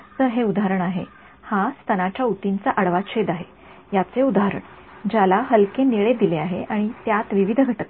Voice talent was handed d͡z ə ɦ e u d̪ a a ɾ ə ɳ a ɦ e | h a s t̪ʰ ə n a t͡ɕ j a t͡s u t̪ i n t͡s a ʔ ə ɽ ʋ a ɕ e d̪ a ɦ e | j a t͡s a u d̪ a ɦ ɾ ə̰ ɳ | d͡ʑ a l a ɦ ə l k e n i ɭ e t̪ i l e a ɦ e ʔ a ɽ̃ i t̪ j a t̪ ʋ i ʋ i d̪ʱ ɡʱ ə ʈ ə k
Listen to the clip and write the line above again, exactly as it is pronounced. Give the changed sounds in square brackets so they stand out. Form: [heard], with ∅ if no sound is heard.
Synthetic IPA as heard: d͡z ə ɦ e u d̪ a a ɾ ə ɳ a ɦ e | h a s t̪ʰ ə n a t͡ɕ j a [∅] u t̪ i n t͡s a ʔ ə ɽ ʋ a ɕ e d̪ a ɦ e | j a t͡s [e] u d̪ a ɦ ɾ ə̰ ɳ | d͡ʑ a l a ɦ ə l k e n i ɭ e [d̪] i l e a ɦ e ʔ a ɽ̃ i t̪ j a t̪ ʋ i ʋ i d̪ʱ ɡʱ ə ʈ ə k

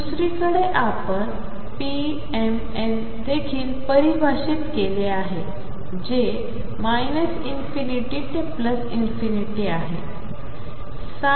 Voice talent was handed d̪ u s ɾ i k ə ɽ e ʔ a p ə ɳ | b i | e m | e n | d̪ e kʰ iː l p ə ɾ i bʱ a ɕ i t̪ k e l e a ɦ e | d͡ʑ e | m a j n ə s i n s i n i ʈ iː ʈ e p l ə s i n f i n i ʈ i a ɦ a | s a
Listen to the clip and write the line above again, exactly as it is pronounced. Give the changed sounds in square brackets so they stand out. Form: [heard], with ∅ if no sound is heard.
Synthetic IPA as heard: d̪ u s ɾ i k ə ɽ e ʔ a p ə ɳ | [p] i | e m | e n | d̪ e kʰ iː l p ə ɾ i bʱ a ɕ i t̪ k e l e a ɦ e | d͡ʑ e | m a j n ə s i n [f] i n i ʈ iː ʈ e p l ə s i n f i n i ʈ i a ɦ [e] | s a

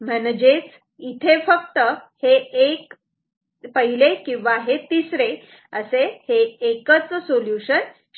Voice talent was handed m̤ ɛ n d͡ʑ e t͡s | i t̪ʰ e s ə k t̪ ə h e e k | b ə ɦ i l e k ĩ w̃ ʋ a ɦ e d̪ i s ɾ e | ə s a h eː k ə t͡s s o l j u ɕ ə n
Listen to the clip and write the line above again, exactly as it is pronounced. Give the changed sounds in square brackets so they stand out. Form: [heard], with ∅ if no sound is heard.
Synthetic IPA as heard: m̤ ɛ n d͡ʑ e t͡s | i t̪ʰ e [f] ə k t̪ ə h e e k | [p] ə ɦ i l e k ĩ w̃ ʋ a ɦ e [t̪] i s ɾ e | ə s [e] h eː k ə t͡s s o l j u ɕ ə n

